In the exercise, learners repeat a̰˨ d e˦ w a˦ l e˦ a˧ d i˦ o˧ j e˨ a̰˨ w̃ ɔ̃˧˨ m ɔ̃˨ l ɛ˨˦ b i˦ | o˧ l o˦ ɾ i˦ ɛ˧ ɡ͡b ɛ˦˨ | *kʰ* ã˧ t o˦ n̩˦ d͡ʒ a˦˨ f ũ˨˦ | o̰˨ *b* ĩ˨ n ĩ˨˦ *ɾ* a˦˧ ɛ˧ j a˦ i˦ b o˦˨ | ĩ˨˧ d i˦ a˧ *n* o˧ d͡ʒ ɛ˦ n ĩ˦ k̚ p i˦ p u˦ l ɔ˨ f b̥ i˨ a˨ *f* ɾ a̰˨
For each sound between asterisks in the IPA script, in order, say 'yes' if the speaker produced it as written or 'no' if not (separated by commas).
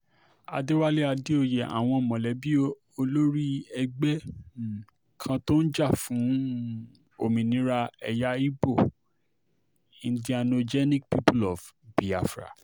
yes, no, yes, yes, yes